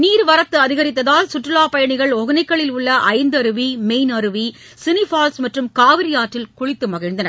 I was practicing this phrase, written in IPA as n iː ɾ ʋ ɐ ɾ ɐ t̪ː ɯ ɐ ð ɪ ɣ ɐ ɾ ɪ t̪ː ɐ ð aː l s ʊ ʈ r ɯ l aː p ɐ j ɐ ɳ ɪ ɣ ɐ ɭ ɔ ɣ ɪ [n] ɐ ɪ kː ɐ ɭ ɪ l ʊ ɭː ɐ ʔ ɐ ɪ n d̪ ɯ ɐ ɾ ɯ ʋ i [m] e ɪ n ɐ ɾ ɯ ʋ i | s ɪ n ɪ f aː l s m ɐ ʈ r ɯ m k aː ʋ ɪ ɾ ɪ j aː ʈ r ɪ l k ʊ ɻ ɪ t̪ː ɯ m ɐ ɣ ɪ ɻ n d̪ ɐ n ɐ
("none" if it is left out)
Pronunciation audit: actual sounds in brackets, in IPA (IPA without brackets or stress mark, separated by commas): n, m